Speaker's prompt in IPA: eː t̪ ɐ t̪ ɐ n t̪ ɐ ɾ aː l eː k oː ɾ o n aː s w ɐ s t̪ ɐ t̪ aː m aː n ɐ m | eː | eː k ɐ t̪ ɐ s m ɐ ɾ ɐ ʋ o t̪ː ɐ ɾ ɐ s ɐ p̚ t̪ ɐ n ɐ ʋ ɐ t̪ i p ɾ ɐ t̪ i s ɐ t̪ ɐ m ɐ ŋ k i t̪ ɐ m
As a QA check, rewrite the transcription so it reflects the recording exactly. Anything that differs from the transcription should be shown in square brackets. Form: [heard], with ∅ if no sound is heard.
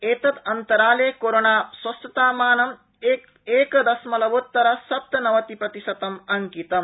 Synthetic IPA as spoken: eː t̪ ɐ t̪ ɐ n t̪ ɐ ɾ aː l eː k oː ɾ o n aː s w ɐ s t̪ ɐ t̪ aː m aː n ɐ m | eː | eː k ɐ [d̪] ɐ s m ɐ [l] ɐ ʋ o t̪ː ɐ ɾ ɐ s ɐ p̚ t̪ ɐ n ɐ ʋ ɐ t̪ i p ɾ ɐ t̪ i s ɐ t̪ ɐ m ɐ ŋ k i t̪ ɐ m